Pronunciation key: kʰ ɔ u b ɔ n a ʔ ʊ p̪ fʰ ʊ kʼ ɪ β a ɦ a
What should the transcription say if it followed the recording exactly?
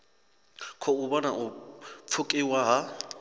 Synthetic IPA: kʰ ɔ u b ɔ n a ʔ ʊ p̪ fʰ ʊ kʼ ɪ w a ɦ a